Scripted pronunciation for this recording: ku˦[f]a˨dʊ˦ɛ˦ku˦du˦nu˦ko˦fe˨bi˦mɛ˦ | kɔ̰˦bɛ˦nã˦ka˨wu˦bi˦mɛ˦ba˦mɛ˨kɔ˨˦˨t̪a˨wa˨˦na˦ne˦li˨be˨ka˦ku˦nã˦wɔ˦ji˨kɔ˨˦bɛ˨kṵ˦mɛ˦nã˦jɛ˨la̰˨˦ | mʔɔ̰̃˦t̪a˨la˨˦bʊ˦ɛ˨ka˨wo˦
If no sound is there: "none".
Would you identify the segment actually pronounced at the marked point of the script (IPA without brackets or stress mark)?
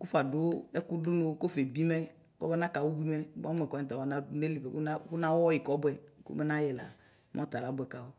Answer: f